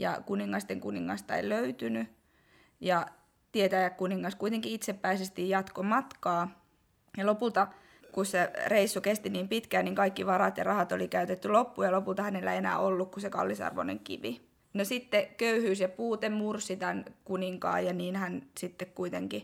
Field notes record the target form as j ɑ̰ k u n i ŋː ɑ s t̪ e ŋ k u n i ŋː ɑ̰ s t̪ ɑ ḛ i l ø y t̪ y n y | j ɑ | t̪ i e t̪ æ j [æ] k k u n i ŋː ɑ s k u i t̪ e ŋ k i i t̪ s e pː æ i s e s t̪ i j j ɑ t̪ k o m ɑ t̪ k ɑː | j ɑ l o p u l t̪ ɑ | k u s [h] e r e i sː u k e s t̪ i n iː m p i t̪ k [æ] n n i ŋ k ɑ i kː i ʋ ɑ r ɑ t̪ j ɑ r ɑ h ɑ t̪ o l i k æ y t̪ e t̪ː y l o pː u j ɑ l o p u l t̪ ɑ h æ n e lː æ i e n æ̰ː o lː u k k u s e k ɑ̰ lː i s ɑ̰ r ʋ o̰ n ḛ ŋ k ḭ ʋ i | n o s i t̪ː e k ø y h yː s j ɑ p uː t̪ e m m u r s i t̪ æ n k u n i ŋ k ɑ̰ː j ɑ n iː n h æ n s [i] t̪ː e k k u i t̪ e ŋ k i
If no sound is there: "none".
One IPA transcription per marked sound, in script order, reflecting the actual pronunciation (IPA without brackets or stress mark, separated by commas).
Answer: æ, s, æː, i